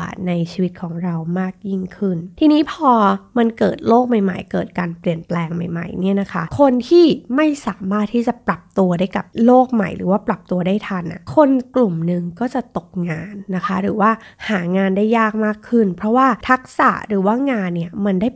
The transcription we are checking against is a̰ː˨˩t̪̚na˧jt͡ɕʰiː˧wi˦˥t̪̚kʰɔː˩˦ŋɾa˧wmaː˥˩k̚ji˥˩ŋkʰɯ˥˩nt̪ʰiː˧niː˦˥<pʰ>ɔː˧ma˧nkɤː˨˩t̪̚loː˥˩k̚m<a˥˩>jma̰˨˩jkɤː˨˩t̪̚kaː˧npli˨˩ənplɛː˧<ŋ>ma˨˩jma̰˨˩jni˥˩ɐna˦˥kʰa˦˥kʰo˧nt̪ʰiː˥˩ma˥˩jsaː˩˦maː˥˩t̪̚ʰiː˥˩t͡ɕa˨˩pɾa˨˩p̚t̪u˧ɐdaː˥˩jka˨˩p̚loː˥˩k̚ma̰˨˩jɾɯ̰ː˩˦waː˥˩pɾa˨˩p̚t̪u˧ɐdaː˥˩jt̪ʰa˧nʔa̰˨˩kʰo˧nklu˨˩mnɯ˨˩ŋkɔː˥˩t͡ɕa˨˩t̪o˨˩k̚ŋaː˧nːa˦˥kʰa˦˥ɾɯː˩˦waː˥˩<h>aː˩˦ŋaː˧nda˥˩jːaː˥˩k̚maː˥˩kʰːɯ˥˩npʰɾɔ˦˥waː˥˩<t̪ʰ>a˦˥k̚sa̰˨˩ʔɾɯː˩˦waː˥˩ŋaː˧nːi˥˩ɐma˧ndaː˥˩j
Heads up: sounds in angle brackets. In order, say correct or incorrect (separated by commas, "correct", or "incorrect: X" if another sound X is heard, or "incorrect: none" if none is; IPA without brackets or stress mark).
correct, incorrect: a˨˩, correct, correct, correct